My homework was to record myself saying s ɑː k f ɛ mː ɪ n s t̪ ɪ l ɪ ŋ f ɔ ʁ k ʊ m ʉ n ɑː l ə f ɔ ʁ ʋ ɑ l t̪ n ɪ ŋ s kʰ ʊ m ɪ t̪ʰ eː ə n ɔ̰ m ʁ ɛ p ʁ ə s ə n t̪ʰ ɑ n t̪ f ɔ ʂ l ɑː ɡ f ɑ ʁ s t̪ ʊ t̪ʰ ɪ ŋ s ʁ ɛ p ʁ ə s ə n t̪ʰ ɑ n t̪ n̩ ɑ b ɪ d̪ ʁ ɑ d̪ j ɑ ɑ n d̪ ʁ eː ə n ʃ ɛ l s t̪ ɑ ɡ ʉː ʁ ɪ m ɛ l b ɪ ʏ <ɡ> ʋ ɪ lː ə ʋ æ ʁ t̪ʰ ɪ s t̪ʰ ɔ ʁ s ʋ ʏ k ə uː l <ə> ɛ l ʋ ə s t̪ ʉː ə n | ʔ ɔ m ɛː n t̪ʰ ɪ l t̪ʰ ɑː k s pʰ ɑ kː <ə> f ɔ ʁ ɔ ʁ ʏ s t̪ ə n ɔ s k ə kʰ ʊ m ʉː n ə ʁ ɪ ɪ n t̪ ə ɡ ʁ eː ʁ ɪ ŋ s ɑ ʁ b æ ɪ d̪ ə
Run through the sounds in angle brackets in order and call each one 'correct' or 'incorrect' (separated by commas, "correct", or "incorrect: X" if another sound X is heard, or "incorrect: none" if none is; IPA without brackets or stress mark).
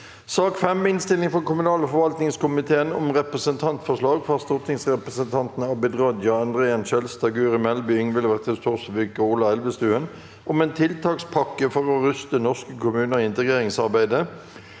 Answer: incorrect: ŋ, incorrect: ɑ, correct